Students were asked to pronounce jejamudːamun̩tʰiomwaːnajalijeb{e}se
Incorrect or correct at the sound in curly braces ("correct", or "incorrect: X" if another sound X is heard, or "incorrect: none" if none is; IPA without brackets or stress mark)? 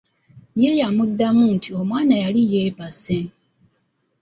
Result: incorrect: a